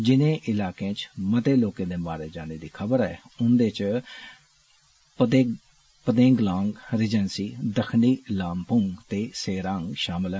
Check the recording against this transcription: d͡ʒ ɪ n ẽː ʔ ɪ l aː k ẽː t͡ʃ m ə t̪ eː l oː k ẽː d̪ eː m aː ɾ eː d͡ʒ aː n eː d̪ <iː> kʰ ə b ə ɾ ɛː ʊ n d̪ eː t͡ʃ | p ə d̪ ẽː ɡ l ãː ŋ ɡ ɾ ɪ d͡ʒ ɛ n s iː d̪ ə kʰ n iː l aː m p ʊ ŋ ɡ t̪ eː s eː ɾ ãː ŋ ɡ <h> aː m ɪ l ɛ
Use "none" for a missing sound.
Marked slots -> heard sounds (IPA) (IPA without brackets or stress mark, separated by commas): iː, ʃ